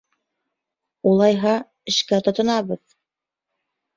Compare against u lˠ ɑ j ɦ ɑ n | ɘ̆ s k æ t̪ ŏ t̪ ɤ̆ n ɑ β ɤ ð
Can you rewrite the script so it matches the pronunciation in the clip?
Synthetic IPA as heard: u lˠ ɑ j ɦ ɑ | ɘ̆ ʃ k æ t̪ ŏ t̪ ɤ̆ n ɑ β ɤ ð